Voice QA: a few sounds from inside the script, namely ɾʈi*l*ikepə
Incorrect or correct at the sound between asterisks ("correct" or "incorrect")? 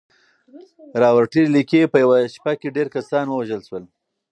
correct